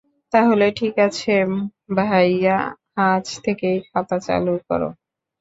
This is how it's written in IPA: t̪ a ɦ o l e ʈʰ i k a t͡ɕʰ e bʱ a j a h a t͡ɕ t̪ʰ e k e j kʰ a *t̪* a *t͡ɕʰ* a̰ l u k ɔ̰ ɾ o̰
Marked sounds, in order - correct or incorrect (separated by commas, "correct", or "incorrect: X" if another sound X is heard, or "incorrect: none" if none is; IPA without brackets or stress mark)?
correct, incorrect: t͡ɕ